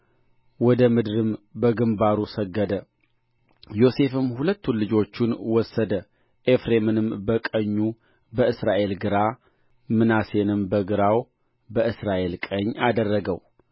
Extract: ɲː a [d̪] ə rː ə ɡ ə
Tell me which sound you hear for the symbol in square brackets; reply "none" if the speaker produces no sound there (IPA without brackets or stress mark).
d̪